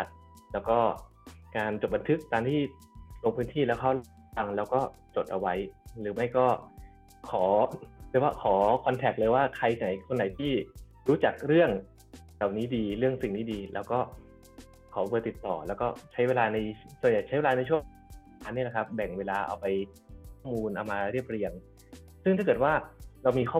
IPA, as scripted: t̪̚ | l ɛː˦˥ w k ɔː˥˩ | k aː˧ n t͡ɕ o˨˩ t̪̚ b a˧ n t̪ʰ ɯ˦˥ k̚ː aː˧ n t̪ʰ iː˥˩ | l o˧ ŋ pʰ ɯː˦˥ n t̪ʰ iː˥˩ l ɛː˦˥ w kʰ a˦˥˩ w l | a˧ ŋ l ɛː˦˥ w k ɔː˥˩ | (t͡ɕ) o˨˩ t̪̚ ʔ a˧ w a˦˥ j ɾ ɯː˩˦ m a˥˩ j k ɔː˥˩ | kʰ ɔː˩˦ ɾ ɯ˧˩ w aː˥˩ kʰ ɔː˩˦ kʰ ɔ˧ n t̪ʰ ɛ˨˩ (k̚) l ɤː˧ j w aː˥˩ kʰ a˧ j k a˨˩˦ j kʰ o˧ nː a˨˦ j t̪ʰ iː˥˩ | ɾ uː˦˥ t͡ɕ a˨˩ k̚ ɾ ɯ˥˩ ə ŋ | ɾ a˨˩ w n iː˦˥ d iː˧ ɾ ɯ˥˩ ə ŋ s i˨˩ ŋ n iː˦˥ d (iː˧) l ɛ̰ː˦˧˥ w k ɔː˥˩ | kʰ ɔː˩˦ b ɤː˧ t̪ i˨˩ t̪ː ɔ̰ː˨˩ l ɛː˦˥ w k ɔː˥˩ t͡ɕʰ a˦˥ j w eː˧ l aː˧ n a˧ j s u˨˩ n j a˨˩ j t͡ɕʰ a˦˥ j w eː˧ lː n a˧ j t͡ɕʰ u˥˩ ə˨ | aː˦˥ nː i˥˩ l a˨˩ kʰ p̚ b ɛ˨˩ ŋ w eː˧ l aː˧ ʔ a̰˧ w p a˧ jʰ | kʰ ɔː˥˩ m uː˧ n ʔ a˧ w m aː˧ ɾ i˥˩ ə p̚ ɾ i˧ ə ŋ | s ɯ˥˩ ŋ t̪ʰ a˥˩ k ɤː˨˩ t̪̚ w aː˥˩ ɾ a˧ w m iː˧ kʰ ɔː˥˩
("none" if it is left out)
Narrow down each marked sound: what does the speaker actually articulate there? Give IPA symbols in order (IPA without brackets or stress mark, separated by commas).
t͡ɕ, k̚, iː˧